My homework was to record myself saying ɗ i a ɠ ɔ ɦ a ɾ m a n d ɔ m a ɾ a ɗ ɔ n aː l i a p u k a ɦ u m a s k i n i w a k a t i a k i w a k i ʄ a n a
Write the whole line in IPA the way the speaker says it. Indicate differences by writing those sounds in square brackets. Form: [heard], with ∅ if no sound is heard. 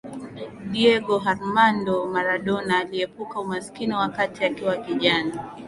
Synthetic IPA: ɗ i [ɛ] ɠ ɔ ɦ a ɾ m a n d ɔ m a ɾ a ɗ ɔ n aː l i [ɛ] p u k a [∅] u m a s k i n i w a k a t i a k i w a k i ʄ a n a